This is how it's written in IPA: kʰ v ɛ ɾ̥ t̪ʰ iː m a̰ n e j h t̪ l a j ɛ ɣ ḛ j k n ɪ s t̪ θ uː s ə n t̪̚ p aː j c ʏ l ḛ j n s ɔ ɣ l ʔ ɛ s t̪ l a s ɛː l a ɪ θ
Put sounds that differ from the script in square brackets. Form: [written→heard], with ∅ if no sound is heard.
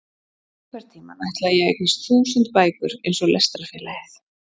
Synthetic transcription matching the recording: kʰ v ɛ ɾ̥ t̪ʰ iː m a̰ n [e→a] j h t̪ l a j ɛ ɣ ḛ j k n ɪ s t̪ θ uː s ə n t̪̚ p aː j [c→k] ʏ [l→ɾ] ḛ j n s ɔ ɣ l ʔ ɛ s t̪ [l→ɾ] a [s→f] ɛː l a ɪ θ